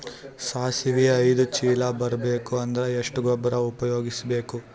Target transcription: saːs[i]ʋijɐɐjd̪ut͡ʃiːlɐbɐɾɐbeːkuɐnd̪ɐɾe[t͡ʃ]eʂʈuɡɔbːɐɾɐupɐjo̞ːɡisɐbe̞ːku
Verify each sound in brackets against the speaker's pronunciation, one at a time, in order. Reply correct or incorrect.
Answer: correct, incorrect

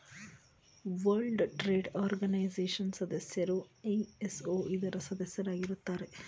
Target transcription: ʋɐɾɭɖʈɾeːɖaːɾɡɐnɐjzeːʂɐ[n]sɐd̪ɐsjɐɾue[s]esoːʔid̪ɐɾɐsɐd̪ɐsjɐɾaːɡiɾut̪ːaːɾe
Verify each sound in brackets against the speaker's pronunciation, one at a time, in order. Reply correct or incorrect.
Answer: correct, incorrect

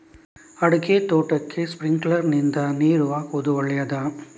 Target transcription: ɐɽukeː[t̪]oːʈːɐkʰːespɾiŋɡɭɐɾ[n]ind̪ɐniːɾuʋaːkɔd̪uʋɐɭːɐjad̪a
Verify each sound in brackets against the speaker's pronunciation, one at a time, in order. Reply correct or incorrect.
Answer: correct, correct

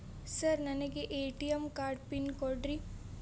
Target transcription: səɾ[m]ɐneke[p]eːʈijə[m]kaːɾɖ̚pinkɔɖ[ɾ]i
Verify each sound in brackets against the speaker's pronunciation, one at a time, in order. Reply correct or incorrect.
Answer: incorrect, incorrect, correct, correct

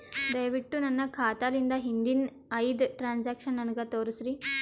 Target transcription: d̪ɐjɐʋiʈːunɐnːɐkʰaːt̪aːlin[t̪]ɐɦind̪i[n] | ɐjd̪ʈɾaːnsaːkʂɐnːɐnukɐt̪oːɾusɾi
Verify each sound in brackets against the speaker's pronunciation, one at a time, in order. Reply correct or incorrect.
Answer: incorrect, correct

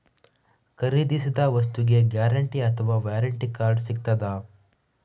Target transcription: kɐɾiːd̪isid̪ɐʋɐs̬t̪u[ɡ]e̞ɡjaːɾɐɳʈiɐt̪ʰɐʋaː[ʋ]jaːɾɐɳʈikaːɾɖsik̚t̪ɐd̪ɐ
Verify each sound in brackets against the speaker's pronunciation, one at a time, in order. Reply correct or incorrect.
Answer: correct, correct

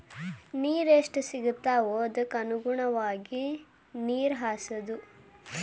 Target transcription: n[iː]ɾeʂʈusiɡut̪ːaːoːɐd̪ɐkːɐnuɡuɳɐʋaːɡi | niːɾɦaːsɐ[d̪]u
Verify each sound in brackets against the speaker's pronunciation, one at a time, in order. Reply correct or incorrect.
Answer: correct, correct

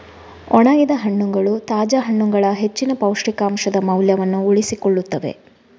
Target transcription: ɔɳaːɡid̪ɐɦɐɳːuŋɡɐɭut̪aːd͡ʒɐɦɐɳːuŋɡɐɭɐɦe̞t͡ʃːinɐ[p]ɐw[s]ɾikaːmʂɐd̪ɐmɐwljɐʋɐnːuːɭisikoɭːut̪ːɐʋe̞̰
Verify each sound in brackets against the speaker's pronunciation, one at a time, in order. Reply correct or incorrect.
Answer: correct, incorrect

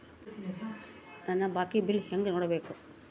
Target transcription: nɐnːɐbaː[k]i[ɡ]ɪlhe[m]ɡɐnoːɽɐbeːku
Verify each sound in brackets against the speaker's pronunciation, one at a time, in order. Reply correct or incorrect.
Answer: correct, incorrect, incorrect

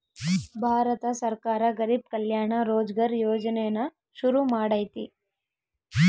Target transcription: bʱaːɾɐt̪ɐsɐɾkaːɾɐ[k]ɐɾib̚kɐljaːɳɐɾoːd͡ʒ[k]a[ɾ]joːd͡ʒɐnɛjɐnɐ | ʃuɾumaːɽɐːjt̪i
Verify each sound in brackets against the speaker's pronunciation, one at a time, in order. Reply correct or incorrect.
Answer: incorrect, incorrect, correct

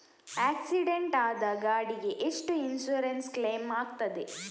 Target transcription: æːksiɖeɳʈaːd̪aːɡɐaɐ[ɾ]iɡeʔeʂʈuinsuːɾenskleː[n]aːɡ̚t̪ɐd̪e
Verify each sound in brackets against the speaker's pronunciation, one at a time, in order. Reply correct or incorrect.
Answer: incorrect, incorrect

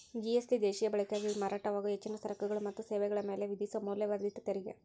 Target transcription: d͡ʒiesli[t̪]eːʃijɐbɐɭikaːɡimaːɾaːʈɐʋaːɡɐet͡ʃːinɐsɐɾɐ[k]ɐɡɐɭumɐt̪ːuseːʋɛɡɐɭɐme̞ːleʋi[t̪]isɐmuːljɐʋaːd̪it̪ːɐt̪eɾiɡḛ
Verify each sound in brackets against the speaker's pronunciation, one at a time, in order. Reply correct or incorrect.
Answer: incorrect, correct, incorrect

